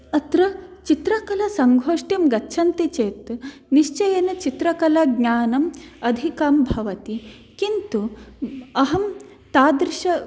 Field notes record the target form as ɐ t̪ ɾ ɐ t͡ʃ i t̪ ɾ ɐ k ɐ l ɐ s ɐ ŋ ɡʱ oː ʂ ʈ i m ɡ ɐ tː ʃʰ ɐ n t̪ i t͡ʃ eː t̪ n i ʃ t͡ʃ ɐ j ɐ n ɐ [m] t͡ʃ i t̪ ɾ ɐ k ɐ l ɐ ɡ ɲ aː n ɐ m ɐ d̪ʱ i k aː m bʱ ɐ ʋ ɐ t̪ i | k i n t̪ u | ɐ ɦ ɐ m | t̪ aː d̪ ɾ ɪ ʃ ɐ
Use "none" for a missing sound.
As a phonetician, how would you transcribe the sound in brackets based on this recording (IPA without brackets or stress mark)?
none